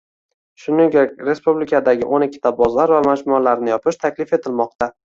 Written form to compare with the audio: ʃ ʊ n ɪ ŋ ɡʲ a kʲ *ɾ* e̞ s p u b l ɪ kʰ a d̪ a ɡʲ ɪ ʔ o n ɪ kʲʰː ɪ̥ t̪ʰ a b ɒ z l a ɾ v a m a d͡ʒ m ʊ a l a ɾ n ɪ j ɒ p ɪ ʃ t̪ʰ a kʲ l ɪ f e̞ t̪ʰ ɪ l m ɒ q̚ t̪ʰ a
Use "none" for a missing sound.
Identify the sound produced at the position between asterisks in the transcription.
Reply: ɾ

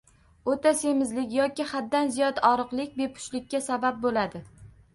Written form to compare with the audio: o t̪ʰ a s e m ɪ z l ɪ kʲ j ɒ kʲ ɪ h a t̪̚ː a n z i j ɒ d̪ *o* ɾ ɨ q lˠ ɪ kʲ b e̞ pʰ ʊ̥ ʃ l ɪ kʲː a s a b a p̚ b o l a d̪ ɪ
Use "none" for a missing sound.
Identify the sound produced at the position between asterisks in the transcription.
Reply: ɒ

